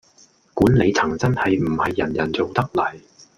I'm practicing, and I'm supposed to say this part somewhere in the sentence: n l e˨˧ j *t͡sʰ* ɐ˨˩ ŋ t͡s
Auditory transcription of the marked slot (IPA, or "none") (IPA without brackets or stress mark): t͡sʰ